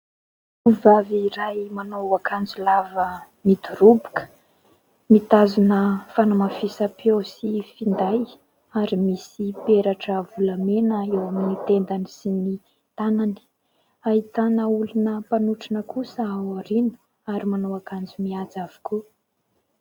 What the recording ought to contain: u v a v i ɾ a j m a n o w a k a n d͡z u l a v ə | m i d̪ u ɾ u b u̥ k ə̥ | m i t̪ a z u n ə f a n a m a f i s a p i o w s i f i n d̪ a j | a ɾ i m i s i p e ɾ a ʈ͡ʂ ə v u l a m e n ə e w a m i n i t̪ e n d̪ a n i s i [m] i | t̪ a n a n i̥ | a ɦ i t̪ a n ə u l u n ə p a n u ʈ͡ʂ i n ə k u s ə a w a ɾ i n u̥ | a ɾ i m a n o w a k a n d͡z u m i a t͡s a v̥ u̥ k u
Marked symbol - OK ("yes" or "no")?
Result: no